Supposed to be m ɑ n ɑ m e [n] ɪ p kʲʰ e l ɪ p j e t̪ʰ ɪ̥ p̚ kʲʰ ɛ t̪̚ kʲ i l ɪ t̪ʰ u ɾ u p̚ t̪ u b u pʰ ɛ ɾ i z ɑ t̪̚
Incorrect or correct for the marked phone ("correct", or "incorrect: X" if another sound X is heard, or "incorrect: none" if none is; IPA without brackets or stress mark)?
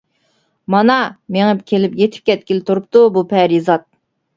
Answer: incorrect: ŋ